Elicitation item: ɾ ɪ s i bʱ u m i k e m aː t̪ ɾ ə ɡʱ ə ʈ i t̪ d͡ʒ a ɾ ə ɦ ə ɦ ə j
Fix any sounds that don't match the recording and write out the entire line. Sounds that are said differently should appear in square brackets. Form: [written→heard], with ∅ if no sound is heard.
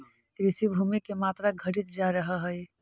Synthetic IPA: ɾ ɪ s i bʱ u m i k e m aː t̪ ɾ [ə→a] ɡʱ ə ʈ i t̪ d͡ʒ a ɾ ə ɦ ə ɦ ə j